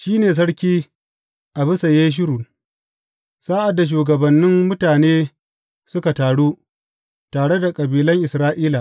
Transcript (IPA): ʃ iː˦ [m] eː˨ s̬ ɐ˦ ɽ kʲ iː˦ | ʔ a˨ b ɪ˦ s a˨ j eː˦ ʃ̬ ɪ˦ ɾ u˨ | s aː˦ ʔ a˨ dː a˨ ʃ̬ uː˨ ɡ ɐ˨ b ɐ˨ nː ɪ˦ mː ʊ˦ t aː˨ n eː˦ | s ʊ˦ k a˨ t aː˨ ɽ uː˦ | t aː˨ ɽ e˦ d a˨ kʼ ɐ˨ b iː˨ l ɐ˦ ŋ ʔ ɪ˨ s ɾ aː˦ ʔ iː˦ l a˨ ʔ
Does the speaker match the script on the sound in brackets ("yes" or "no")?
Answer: no